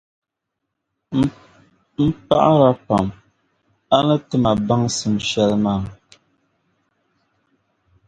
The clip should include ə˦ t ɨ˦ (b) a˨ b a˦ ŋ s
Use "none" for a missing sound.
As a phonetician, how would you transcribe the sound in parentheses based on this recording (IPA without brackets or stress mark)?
m